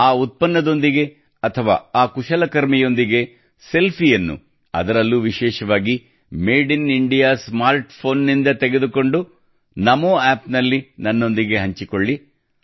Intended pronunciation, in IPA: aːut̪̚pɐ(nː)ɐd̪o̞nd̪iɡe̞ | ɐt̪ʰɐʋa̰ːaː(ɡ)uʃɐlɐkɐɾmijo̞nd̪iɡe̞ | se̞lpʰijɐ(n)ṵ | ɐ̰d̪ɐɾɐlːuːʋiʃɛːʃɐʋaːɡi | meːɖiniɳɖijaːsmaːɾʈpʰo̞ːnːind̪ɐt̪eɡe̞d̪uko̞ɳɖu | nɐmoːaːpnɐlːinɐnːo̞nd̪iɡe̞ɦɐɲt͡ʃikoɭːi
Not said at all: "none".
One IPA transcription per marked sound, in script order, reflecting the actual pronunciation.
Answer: nː, k, nː

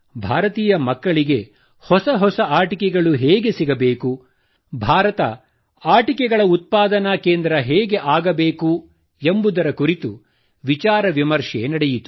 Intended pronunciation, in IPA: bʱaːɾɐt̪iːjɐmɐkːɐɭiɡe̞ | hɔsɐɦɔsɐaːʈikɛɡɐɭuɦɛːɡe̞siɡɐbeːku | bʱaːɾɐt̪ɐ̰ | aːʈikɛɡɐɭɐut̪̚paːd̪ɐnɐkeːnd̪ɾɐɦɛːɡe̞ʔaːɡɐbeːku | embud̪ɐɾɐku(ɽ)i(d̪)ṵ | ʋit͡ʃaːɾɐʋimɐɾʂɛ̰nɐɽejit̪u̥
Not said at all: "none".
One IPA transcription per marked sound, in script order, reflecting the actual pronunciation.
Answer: ɾ, t̪

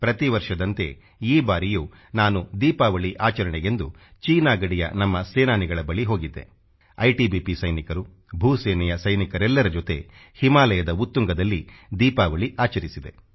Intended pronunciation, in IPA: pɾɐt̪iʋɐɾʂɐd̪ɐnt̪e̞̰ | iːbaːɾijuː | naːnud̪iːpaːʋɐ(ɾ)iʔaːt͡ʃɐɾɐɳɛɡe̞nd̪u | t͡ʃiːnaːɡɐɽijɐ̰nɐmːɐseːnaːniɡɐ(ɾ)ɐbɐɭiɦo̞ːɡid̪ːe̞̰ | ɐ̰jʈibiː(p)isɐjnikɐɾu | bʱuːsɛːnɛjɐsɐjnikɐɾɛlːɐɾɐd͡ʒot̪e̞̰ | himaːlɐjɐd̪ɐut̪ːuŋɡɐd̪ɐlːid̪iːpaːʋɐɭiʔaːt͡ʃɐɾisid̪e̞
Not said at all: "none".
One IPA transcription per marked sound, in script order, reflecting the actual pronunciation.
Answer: ɭ, ɭ, p

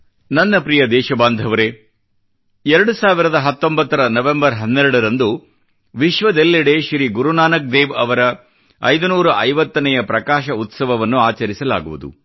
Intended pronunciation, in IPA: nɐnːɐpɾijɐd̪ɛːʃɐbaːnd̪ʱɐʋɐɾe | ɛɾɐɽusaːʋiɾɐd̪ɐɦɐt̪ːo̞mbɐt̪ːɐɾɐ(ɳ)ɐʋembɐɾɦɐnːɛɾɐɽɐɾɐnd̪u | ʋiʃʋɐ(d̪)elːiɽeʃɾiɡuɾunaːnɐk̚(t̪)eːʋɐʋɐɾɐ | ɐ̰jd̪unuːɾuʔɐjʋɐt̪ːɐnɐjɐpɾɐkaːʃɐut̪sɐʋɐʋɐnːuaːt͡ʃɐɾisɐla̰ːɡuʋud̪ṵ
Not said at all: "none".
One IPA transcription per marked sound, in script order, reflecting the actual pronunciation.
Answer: n, d̪, d̪

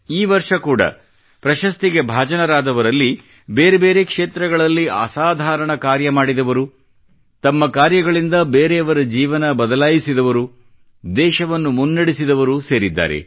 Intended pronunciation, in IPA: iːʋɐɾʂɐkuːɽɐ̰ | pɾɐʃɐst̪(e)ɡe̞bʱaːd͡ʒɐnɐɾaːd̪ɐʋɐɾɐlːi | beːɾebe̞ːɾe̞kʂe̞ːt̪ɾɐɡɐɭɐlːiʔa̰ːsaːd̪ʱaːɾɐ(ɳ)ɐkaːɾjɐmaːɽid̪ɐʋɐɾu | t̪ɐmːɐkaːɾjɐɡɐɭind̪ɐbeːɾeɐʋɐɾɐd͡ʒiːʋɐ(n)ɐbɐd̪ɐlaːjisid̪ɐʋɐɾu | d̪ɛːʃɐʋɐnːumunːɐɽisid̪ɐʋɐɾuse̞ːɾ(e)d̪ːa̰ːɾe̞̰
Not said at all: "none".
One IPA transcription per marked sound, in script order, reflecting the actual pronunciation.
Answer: i, ɳ, n, i

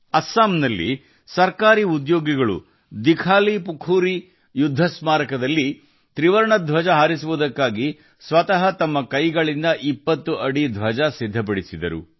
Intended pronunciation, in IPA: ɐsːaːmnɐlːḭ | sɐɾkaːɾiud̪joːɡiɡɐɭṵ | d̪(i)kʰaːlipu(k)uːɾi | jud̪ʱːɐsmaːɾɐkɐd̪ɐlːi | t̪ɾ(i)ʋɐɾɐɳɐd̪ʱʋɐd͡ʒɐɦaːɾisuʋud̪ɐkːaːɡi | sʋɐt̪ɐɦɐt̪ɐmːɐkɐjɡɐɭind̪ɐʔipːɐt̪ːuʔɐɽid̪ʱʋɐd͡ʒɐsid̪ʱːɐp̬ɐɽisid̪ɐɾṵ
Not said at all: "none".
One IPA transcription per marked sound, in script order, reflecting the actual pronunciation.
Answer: i, kʰ, i

